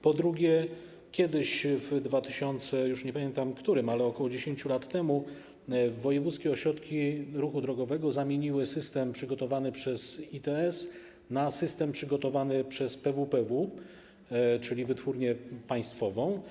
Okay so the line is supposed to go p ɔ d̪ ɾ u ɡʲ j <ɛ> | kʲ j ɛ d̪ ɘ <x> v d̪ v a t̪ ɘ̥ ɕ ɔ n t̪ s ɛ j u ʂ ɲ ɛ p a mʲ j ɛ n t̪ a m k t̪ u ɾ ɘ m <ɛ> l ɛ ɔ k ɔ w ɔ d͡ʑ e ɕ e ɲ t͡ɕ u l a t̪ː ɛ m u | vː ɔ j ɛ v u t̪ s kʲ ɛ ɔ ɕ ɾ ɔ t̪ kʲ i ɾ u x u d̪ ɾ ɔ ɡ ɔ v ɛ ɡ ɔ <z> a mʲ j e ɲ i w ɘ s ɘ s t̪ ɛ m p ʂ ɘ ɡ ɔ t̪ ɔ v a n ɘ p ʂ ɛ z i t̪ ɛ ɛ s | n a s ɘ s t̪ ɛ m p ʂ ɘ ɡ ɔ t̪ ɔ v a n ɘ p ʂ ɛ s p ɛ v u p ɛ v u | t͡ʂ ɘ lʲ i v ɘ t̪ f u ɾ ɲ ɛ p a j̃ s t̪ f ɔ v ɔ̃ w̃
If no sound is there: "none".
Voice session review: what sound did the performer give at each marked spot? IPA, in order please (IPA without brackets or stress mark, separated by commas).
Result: ɛ, ɕ, a, z